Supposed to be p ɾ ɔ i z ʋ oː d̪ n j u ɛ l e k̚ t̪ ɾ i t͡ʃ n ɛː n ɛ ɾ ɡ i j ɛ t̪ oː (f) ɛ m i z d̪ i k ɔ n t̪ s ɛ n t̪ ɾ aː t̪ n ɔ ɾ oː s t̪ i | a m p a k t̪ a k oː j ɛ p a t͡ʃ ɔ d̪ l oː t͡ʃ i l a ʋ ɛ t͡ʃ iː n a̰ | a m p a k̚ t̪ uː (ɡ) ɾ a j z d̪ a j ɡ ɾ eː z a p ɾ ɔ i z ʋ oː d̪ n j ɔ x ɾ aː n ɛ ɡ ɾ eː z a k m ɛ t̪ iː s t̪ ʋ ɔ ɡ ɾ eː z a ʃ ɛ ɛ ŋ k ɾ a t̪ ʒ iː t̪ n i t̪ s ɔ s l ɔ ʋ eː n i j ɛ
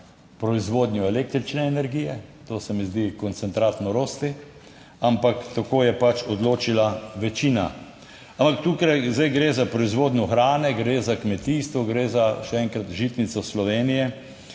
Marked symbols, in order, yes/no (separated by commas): no, no